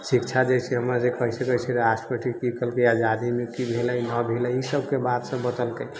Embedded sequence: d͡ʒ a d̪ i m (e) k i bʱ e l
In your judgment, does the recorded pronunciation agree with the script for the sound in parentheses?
yes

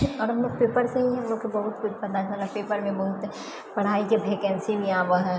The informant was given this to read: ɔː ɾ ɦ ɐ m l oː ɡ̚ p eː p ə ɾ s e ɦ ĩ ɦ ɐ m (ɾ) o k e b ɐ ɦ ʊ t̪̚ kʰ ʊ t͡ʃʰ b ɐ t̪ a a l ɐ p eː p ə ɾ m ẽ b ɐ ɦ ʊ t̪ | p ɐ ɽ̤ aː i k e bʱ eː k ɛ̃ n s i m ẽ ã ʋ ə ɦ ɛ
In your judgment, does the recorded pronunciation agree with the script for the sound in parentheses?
no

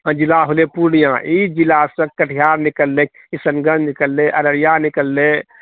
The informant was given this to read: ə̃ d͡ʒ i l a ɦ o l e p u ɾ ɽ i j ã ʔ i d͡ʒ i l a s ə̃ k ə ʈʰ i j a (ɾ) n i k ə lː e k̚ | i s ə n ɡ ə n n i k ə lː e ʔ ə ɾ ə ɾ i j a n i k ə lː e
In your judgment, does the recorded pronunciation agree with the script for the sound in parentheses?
yes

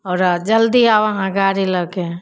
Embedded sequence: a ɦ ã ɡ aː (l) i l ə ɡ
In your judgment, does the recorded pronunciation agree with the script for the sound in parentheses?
no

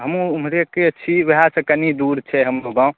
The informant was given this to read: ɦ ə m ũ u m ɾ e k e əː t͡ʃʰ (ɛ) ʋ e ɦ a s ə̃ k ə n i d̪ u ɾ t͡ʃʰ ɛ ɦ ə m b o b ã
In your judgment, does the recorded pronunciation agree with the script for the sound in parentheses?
no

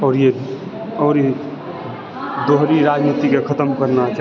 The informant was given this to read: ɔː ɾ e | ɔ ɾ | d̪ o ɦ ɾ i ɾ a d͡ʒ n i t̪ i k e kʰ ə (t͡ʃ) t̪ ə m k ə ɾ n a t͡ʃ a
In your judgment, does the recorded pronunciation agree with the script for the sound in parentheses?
no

